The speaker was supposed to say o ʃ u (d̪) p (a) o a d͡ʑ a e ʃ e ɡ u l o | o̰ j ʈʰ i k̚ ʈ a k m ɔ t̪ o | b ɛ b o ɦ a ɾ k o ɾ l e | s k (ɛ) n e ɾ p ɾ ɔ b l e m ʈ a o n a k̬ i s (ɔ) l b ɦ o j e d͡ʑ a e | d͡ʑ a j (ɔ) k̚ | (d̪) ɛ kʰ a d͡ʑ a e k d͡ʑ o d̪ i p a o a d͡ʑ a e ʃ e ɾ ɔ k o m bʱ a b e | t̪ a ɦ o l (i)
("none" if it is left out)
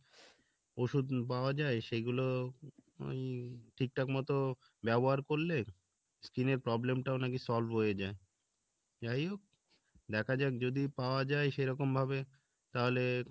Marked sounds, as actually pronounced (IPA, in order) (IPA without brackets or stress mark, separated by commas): d̪, a, i, ɔ, o, d̪, e